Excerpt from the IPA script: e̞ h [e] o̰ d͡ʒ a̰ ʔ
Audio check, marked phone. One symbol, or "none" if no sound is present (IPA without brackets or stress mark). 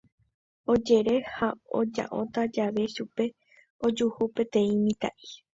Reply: a